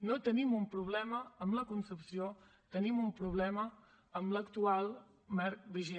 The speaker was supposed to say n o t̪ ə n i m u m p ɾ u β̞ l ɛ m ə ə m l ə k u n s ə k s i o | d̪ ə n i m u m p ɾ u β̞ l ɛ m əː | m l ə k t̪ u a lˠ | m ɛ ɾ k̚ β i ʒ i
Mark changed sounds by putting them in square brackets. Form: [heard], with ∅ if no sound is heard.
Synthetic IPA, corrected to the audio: n o t̪ ə n i m u m p ɾ u β̞ l ɛ m ə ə m l ə k u n s ə [p] s i o | [t̪] ə n i m u m p ɾ u β̞ l ɛ m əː | m l ə k t̪ u a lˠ | m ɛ ɾ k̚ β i ʒ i